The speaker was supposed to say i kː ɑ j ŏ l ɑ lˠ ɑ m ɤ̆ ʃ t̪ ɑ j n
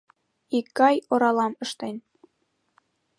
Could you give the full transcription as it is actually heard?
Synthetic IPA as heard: i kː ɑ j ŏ ɾ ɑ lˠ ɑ m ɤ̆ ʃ t̪ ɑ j n